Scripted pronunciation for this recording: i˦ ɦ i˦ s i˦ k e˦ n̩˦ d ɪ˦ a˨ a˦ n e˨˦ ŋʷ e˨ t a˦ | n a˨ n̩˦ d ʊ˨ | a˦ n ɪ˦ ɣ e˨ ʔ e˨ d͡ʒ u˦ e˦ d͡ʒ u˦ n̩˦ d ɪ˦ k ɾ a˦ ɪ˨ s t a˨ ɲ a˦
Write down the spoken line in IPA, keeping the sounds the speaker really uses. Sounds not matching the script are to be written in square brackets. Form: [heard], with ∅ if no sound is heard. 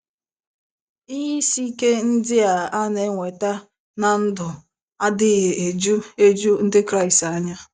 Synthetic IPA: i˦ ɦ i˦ s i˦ k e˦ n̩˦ d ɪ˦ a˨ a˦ n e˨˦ ŋʷ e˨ t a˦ | n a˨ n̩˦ d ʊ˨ | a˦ [d] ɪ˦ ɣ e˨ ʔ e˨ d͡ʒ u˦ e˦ d͡ʒ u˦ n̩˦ d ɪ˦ k ɾ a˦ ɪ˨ s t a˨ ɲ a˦